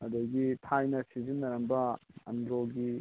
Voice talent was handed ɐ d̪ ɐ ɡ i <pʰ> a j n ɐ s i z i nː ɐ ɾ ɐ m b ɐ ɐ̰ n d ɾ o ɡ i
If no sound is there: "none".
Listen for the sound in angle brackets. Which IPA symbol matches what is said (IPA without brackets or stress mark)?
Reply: tʰ